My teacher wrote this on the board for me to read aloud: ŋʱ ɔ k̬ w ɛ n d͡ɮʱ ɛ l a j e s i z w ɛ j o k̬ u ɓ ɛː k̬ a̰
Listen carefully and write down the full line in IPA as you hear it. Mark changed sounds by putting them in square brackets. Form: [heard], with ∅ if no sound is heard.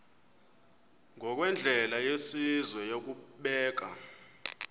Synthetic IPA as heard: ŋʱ ɔ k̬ w ɛ n d͡ɮʱ ɛ l a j e s i z w ɛ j o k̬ u ɓ ɛː k̬ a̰